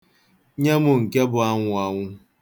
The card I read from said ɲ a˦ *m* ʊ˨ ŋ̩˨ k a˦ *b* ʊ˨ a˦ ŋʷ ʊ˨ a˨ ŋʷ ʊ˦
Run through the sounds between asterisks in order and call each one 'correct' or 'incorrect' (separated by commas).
correct, correct